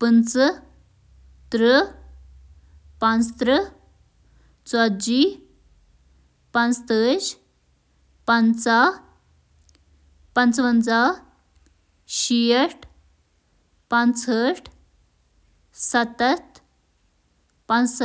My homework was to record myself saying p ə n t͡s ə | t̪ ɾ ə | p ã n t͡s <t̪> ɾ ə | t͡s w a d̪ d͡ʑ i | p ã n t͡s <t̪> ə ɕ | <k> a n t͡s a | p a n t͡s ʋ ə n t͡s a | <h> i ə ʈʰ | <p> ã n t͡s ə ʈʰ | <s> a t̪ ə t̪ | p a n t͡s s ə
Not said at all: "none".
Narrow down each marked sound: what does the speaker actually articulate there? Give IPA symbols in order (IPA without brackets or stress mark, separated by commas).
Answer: t̪, t̪, p, ɕ, p, s